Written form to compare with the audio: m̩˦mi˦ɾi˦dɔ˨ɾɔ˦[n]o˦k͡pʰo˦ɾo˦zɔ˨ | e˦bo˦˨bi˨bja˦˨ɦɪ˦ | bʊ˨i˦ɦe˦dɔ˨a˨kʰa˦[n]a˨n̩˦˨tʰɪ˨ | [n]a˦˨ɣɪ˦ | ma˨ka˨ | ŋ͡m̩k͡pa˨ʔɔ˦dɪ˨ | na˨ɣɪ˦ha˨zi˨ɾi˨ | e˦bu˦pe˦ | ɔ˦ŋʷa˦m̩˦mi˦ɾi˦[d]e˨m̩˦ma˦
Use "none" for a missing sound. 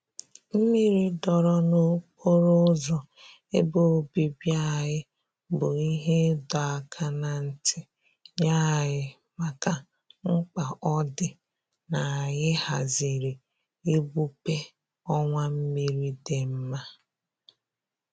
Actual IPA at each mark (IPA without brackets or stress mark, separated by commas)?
n, n, ɲ, d